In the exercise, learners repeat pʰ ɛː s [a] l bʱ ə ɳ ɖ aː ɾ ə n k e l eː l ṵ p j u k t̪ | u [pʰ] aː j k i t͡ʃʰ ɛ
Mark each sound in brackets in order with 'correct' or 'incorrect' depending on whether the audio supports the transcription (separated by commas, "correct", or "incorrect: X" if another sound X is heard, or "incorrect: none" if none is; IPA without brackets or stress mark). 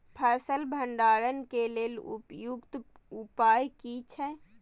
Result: incorrect: ə, incorrect: p